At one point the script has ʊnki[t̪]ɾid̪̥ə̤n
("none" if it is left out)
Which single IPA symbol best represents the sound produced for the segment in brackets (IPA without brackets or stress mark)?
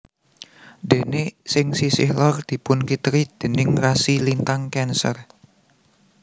t̪